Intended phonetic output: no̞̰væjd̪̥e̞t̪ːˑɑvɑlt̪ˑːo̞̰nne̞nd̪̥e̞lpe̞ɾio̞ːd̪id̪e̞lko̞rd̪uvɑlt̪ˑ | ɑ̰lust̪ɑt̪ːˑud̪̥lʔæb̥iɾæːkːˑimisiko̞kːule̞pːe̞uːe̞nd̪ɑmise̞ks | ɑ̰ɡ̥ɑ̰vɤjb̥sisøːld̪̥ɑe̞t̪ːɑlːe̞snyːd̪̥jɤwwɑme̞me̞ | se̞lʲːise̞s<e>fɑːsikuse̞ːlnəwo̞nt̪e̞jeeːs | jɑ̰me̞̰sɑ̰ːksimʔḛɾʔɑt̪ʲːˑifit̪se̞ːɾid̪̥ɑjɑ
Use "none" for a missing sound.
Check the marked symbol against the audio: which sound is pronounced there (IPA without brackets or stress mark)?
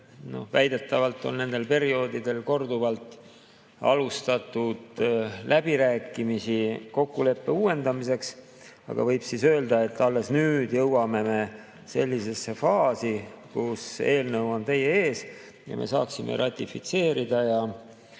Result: e